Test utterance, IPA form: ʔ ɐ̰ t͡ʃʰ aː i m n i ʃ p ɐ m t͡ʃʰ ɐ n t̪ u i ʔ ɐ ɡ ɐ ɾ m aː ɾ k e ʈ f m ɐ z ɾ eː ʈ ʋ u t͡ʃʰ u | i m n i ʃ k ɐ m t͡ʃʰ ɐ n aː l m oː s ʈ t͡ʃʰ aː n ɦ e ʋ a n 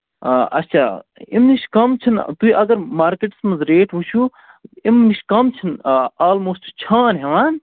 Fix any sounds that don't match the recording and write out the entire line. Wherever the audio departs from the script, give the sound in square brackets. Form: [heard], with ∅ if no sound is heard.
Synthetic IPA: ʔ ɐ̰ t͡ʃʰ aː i m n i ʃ [k] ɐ m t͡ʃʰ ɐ n t̪ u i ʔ ɐ ɡ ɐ ɾ m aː ɾ k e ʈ [s] m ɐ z ɾ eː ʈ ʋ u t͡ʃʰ u | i m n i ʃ k ɐ m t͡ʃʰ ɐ n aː l m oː s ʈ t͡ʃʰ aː n ɦ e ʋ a n